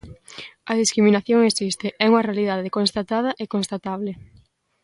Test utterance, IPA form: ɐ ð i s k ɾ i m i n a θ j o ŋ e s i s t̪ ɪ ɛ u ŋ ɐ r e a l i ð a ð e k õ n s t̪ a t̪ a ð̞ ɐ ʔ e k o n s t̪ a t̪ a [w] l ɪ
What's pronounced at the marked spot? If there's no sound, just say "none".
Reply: β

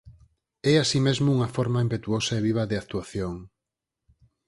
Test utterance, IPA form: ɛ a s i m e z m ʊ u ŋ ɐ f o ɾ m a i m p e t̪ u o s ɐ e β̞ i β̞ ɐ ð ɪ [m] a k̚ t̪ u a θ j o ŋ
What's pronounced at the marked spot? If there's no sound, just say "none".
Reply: none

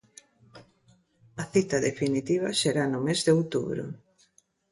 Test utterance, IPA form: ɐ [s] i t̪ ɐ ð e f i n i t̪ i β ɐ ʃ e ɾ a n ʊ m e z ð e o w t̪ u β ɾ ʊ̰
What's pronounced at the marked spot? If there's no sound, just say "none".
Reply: θ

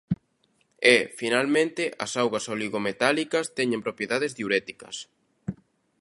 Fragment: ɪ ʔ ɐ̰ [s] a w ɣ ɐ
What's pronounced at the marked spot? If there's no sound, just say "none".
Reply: s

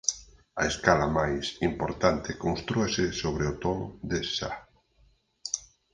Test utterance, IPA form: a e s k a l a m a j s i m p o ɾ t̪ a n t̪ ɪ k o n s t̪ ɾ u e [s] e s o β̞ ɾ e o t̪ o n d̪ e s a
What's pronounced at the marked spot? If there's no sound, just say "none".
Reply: s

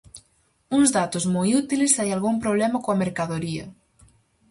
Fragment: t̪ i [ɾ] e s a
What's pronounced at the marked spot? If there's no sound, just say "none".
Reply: l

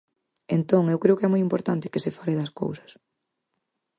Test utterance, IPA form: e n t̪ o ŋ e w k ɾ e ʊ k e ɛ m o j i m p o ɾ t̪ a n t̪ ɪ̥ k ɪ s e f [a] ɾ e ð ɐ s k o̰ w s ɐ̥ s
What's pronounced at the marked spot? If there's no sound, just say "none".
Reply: a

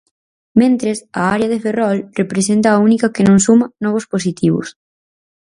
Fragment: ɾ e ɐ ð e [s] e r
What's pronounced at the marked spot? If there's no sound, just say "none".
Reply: f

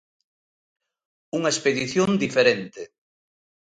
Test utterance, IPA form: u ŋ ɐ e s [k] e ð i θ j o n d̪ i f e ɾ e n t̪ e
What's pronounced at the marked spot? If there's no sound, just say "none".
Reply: p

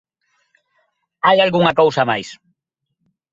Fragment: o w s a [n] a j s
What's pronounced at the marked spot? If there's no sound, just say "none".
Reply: m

